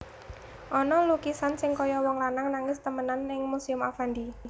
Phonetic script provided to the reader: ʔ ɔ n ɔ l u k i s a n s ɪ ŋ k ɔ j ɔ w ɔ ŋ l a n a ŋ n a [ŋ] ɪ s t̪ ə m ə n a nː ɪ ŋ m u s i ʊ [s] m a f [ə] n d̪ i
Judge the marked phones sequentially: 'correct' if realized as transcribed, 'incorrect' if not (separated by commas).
correct, incorrect, incorrect